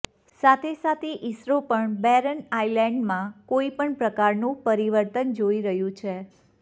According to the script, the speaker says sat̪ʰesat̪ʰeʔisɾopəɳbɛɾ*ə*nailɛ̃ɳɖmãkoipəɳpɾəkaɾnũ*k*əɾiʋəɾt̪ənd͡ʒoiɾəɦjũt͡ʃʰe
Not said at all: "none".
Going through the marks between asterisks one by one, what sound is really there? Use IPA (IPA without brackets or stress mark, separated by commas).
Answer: ə, p